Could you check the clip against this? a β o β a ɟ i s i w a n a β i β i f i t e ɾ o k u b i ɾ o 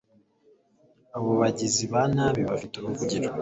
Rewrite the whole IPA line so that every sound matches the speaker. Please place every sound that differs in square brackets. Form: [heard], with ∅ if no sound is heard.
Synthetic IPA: a β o β a ɟ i [z] i [β] a n a β i β [a] f i t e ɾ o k u [ɟ] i ɾ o